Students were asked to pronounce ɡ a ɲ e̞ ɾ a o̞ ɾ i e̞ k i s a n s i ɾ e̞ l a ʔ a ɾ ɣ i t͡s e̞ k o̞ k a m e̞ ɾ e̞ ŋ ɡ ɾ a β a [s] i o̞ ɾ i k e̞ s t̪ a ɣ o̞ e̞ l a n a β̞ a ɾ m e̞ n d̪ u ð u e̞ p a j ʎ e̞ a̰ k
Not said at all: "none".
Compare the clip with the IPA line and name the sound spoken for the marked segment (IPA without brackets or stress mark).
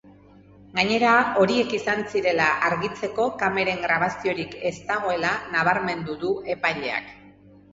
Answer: s